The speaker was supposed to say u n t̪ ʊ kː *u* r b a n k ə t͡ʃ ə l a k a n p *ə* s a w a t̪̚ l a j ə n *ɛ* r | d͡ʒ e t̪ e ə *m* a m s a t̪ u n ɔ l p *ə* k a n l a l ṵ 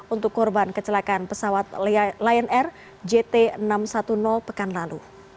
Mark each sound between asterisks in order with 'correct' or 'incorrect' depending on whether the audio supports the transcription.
incorrect: ɔ, correct, correct, incorrect: n, correct

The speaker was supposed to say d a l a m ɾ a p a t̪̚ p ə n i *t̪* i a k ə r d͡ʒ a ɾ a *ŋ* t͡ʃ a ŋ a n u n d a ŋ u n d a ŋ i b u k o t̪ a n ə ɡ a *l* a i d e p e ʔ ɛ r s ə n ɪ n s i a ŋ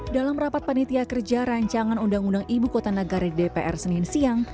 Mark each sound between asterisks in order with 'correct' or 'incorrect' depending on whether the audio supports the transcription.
correct, incorrect: ɲ, incorrect: ɾ

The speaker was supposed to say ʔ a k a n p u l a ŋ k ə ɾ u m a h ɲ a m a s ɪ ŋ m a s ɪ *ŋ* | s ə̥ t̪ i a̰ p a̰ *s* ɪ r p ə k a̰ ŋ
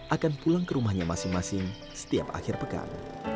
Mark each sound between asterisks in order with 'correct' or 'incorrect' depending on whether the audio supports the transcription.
correct, incorrect: x

